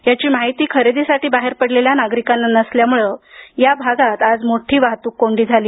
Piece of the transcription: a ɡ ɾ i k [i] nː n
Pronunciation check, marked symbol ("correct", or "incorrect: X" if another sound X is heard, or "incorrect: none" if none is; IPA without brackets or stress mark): incorrect: a